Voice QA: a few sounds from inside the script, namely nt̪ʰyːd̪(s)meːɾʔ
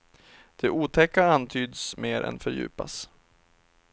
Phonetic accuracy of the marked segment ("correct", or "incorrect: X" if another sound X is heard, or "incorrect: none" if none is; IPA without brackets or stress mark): correct